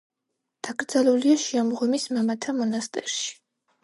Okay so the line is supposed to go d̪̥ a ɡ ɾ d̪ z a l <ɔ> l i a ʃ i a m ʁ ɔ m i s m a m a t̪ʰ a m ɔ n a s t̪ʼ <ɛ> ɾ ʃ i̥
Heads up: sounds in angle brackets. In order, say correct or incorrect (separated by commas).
incorrect, correct